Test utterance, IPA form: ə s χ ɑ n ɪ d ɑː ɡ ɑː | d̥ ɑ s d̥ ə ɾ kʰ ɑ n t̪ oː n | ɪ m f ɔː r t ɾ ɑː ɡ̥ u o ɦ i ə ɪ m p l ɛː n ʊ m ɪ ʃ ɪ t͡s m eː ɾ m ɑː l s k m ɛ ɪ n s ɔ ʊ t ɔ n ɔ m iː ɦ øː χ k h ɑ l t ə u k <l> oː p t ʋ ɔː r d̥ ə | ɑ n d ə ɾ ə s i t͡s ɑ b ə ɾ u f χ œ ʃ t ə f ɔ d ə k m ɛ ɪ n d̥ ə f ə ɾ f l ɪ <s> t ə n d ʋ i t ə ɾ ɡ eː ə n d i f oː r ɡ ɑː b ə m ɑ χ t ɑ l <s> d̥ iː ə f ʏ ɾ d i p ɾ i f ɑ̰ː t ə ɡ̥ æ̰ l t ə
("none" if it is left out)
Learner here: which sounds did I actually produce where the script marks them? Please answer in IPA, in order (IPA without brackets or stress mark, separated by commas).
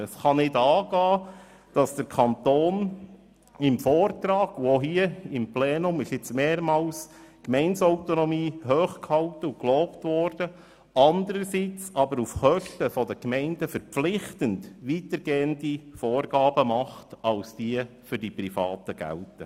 l, χ, s